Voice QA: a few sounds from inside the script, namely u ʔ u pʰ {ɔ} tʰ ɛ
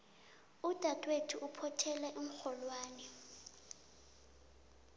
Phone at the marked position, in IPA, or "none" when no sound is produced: ɔ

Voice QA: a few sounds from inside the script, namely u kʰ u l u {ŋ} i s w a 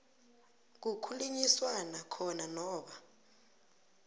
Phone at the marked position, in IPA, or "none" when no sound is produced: ɲ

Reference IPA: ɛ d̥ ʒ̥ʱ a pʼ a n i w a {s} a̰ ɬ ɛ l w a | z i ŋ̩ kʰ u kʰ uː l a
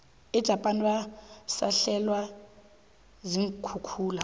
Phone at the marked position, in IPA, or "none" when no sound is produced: s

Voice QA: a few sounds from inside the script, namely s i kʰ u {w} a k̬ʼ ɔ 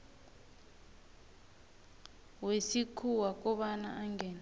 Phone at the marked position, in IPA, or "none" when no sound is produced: w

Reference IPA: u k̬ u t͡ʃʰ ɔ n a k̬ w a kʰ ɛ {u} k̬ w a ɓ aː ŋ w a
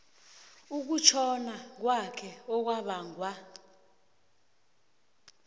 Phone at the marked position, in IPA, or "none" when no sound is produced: ɔ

